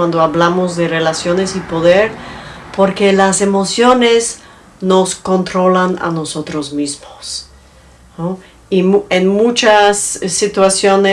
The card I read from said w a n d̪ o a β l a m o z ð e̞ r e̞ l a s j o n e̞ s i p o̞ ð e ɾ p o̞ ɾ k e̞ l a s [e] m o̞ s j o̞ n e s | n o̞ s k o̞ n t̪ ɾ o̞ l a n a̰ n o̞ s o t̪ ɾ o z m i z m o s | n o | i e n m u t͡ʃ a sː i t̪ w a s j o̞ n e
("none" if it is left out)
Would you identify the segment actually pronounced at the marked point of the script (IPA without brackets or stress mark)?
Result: e